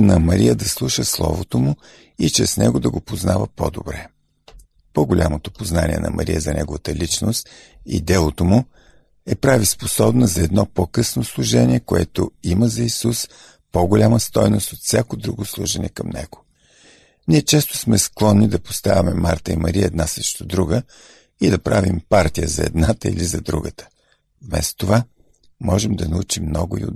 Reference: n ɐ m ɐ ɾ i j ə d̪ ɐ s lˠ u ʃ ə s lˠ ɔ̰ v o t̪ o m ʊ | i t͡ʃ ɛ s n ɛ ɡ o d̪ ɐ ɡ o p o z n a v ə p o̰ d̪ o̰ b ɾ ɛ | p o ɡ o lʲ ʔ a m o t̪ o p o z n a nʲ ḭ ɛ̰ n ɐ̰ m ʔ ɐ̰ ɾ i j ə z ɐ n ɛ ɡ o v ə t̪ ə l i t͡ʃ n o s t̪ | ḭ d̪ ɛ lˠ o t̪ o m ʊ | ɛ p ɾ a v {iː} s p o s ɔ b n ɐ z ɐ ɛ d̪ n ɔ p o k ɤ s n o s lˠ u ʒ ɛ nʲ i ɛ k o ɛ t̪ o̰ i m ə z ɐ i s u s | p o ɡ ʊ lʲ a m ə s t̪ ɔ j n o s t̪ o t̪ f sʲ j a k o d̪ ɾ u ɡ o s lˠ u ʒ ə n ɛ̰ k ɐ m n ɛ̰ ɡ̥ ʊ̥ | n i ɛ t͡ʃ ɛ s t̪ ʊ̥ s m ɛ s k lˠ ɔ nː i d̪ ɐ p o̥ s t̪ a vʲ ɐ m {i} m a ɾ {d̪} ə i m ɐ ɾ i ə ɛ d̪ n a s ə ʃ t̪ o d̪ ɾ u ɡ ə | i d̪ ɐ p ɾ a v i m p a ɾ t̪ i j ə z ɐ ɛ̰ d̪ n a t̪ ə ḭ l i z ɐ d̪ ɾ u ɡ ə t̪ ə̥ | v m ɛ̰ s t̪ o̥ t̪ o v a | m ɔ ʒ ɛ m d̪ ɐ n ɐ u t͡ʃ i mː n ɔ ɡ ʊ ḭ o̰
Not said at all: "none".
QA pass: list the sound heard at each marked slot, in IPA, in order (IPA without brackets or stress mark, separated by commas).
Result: i, ɛ, t̪